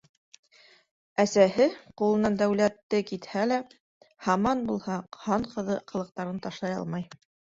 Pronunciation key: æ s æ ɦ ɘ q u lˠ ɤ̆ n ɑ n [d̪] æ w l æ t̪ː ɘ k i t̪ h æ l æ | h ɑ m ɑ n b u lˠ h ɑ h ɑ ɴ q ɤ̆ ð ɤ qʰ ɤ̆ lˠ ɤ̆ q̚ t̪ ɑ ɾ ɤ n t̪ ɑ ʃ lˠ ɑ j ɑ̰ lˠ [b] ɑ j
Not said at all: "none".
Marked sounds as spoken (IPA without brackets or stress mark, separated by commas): d̪, m